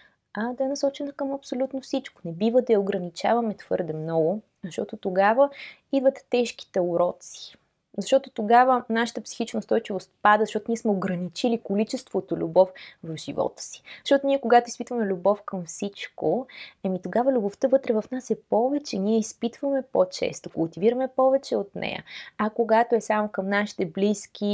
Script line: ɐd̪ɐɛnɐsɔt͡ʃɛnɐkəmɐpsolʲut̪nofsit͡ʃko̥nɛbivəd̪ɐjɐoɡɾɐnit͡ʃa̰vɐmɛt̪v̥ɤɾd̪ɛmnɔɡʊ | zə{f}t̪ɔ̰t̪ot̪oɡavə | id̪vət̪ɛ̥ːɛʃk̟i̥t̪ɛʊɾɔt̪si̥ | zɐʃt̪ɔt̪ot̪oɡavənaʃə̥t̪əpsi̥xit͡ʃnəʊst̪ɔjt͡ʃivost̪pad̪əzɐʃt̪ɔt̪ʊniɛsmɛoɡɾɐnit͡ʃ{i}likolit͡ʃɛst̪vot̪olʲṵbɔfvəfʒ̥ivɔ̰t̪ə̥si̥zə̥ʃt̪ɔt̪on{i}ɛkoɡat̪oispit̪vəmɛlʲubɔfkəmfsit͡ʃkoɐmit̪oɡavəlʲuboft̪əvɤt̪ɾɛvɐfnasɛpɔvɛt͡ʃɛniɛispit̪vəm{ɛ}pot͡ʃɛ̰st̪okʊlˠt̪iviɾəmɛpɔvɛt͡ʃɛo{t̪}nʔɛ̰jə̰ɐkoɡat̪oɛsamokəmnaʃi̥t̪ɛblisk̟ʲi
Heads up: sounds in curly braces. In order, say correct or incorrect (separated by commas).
incorrect, correct, correct, correct, correct